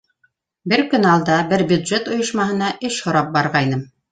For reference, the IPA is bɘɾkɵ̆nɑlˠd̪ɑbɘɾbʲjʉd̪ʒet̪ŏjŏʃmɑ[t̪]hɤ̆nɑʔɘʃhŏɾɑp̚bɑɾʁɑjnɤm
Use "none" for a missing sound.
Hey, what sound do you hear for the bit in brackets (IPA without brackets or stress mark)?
none